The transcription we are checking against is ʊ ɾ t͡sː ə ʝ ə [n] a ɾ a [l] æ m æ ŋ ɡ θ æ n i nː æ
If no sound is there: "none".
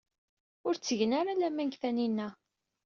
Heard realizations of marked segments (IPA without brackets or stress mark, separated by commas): n, l